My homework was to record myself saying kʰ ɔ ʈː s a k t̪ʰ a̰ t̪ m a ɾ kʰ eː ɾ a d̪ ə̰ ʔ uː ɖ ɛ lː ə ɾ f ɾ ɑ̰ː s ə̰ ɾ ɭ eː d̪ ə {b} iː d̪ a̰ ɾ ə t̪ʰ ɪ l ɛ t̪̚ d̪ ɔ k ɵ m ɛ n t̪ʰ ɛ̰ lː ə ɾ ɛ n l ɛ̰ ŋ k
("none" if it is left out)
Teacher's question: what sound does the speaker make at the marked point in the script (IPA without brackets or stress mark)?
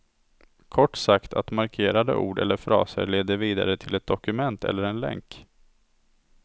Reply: v